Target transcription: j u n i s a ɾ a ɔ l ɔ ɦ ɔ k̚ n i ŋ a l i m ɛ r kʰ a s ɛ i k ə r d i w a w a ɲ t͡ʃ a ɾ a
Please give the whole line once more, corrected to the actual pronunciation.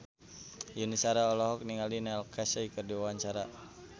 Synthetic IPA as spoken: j u n i s a ɾ a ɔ l ɔ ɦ ɔ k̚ n i ŋ a l i n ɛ l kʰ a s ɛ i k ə r d i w a w a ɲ t͡ʃ a ɾ a